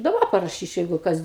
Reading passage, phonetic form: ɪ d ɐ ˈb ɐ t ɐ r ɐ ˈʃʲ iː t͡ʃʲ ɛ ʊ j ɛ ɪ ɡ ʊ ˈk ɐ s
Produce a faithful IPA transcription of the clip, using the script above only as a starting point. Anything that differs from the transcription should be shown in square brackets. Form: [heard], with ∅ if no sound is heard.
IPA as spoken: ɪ d ɐ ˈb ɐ [p] ɐ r ɐ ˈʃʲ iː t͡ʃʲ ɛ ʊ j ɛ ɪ ɡ ʊ ˈk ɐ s